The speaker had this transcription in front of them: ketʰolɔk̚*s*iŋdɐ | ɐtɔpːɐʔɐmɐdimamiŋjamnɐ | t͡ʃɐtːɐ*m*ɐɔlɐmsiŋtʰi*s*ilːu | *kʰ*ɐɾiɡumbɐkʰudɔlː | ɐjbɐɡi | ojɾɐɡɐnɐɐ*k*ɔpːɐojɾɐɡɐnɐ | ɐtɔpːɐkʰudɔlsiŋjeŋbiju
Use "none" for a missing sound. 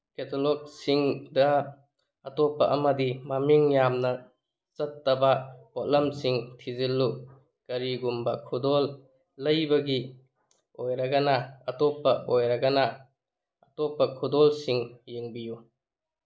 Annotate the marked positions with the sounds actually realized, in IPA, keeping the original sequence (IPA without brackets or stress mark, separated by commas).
s, b, z, k, t